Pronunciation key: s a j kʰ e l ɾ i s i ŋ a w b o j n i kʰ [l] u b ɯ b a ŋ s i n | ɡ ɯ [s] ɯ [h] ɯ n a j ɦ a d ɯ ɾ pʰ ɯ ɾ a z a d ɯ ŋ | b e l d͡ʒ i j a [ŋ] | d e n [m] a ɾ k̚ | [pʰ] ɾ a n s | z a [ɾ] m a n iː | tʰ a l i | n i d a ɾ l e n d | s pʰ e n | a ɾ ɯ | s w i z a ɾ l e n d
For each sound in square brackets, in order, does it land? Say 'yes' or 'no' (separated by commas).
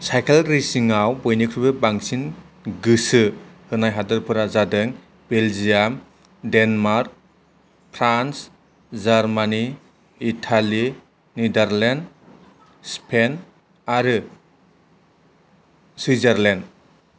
no, yes, yes, no, yes, yes, yes